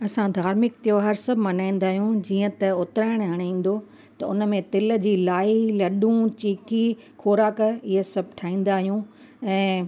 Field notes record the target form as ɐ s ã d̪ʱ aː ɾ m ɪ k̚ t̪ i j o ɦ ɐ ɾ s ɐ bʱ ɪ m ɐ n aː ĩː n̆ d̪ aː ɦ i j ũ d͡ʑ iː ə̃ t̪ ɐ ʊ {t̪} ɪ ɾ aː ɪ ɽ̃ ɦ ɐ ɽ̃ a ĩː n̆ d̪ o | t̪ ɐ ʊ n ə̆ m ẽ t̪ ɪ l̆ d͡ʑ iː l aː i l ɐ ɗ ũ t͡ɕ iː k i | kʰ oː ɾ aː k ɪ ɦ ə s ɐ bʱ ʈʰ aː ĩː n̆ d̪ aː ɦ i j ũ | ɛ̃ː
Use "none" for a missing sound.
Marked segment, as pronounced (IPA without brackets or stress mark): t̪